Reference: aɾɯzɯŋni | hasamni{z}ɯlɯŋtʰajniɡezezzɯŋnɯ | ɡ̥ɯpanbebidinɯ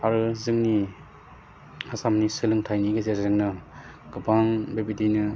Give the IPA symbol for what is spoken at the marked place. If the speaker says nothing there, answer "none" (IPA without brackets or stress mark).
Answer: s